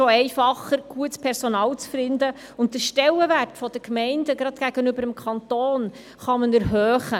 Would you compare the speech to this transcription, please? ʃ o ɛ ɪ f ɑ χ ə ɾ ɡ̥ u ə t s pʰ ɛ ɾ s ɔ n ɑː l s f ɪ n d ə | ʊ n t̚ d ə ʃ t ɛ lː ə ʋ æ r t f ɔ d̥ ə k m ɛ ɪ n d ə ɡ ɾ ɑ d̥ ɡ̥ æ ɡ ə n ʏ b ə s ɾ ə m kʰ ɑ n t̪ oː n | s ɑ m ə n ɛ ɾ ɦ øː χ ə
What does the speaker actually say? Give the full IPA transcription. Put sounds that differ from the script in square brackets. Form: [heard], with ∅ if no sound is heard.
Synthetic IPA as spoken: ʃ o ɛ ɪ f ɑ χ ə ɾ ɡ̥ u ə t s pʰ ɛ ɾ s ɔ n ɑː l [t͡s] f ɪ n d ə | ʊ n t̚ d ə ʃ t ɛ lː ə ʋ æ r t f ɔ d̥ ə k m ɛ ɪ n d ə ɡ ɾ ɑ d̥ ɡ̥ æ ɡ ə n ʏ b ə [∅] ɾ ə m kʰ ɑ n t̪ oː n | [χ] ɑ m ə n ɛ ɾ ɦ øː χ ə